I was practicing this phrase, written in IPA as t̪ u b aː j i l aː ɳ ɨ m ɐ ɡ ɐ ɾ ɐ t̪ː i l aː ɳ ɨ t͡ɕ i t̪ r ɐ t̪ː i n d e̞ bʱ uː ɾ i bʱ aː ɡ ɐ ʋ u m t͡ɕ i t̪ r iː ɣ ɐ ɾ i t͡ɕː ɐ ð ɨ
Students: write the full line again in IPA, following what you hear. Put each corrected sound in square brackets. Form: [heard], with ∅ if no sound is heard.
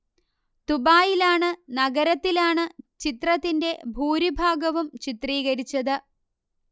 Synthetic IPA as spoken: t̪ u b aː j i l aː ɳ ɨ [n] ɐ ɡ ɐ ɾ ɐ t̪ː i l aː ɳ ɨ t͡ɕ i t̪ r ɐ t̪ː i n d e̞ bʱ uː ɾ i bʱ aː ɡ ɐ ʋ u m t͡ɕ i t̪ r iː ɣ ɐ ɾ i t͡ɕː ɐ ð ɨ